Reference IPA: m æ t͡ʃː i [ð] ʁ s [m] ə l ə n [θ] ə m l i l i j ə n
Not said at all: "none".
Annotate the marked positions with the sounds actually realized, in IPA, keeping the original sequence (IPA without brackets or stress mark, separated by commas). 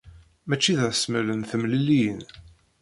ð, m, θ